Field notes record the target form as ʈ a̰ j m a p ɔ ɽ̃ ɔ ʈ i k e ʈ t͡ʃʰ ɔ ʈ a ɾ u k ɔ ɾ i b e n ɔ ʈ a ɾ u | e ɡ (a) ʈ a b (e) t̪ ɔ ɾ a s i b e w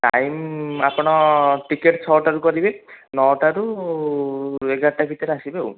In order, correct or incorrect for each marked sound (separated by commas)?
correct, incorrect